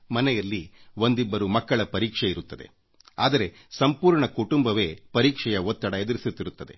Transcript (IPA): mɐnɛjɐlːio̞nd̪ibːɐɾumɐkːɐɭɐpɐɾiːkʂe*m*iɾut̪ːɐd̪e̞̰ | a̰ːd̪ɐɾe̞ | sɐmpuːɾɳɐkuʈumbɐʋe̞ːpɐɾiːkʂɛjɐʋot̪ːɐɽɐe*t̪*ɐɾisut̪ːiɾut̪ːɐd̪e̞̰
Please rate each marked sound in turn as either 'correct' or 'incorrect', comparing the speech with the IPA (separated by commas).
incorrect, incorrect